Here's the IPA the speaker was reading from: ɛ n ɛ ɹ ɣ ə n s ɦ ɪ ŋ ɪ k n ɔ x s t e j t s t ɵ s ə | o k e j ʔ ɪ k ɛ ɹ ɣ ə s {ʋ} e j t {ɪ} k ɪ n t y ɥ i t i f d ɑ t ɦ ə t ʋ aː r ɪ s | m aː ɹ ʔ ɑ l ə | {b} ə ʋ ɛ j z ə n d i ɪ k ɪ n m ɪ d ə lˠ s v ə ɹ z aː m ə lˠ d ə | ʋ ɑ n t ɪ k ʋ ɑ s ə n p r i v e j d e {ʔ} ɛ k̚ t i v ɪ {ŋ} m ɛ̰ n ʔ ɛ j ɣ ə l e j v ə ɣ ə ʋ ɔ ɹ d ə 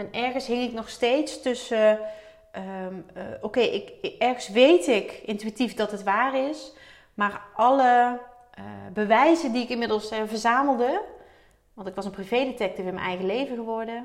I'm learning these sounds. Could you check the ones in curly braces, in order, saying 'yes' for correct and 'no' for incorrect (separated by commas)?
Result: yes, yes, yes, no, no